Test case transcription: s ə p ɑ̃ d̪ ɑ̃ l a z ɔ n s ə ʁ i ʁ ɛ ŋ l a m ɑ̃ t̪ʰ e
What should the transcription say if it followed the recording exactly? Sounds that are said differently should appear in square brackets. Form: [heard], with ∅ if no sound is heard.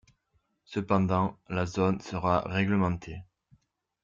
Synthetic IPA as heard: s ə p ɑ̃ d̪ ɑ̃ l a z ɔ n s ə ʁ [a] ʁ ɛ [ɡ] l [ə] m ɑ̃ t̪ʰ e